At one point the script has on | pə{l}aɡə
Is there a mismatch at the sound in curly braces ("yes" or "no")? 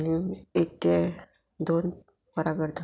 yes